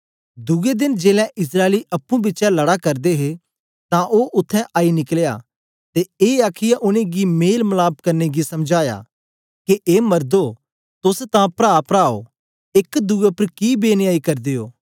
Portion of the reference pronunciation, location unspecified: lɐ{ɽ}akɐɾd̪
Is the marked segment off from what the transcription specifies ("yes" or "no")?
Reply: no